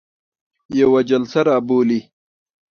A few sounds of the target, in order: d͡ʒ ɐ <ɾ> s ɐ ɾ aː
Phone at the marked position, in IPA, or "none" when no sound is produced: l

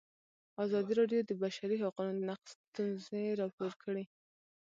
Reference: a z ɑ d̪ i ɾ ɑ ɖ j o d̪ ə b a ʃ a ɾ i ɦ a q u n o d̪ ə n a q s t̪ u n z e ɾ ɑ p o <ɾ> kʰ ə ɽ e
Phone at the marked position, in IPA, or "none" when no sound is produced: ɾ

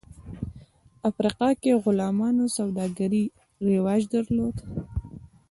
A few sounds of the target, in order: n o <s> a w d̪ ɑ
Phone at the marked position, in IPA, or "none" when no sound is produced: s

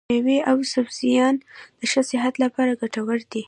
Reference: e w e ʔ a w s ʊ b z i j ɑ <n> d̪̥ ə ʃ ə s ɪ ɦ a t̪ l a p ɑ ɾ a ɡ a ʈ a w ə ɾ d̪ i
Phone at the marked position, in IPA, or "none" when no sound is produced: n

